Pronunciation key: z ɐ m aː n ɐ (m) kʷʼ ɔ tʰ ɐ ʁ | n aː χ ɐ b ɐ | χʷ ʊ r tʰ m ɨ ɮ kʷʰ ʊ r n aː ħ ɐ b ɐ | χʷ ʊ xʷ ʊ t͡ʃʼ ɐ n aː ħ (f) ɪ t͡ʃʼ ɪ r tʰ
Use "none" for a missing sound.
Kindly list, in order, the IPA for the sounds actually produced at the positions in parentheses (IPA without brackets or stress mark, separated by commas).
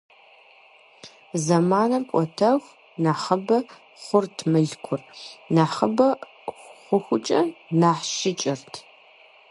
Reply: m, ʃ